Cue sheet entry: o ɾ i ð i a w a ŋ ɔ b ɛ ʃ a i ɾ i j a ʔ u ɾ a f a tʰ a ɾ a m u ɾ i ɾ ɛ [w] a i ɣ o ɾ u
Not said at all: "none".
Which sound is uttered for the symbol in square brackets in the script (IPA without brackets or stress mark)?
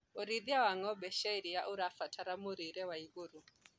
w